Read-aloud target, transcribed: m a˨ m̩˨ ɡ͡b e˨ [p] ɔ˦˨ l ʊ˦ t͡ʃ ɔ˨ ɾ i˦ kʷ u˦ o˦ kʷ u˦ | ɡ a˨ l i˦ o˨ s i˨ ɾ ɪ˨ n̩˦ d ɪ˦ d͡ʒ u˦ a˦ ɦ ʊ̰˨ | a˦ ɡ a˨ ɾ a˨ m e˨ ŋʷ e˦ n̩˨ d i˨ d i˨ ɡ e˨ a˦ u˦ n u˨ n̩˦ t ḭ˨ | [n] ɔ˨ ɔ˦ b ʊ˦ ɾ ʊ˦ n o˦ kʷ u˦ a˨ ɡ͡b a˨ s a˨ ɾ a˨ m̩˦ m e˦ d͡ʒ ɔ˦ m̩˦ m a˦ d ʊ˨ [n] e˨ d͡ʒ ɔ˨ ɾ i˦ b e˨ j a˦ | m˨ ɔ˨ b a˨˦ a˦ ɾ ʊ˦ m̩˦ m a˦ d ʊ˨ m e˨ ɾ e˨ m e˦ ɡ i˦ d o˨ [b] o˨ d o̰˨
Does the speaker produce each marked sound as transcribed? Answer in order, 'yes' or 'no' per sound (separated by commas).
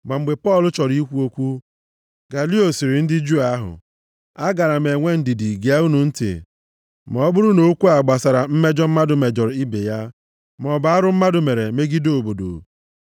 yes, no, no, yes